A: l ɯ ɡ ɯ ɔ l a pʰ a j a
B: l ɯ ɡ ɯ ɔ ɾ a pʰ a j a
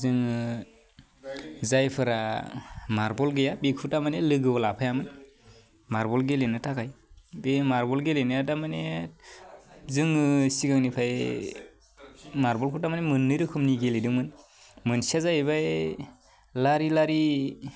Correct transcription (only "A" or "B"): A